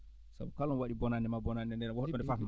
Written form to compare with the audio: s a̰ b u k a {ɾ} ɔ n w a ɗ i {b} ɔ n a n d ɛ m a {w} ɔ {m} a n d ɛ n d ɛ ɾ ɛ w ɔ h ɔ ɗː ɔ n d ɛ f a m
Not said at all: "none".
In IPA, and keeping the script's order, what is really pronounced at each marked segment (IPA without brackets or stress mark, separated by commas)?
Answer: l, b, b, n